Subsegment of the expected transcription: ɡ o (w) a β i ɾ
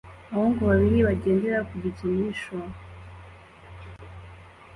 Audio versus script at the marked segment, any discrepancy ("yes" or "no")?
yes